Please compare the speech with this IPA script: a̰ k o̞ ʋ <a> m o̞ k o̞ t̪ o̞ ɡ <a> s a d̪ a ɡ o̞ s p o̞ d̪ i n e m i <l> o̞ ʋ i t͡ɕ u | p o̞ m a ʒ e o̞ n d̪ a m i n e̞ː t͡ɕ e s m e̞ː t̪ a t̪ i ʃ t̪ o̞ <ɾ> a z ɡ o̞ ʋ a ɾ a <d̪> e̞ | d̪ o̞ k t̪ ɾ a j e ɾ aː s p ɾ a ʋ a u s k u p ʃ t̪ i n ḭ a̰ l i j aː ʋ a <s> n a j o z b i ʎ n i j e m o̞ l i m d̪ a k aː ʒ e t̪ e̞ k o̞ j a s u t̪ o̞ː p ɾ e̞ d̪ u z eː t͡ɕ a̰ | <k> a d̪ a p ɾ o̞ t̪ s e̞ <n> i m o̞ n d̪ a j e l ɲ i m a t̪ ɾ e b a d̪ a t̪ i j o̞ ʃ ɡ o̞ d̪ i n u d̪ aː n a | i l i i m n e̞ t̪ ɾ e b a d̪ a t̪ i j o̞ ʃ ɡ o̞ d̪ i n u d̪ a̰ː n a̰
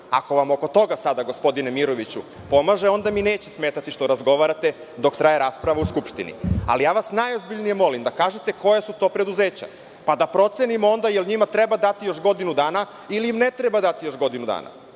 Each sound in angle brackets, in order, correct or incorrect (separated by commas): correct, correct, incorrect, correct, incorrect, correct, incorrect, correct